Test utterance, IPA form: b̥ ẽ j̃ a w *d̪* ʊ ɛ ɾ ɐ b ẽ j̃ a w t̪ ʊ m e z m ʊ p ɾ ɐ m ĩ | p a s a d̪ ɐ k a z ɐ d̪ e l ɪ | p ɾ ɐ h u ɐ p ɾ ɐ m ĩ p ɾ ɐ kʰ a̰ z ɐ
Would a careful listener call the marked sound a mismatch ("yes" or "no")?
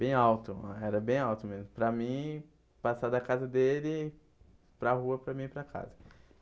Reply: yes